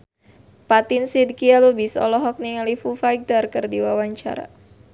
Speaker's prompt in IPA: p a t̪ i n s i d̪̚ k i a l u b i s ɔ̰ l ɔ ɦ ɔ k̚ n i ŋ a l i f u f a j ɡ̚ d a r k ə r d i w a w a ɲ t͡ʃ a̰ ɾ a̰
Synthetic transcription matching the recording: p a t̪ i n s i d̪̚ k i a l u b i s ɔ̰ l ɔ ɦ ɔ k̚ n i ŋ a l i f u f a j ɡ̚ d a r k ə r d i w a w a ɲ t͡ʃ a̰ ɾ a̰